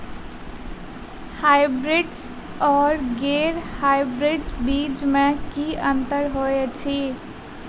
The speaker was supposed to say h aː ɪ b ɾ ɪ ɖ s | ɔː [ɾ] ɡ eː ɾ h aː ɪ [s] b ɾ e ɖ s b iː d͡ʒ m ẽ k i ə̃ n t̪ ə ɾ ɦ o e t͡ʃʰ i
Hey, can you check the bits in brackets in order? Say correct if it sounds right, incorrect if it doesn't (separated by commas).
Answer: correct, incorrect